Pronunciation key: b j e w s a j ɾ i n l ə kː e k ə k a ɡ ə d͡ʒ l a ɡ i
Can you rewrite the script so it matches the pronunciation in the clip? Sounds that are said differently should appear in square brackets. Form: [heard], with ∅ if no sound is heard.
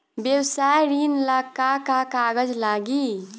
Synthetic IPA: b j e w s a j ɾ i n l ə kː [a] k [a] k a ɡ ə d͡ʒ l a ɡ i